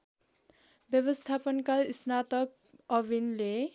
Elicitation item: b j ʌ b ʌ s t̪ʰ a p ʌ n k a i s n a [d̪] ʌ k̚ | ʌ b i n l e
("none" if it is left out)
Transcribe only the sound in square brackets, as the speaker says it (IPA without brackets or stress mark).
t̪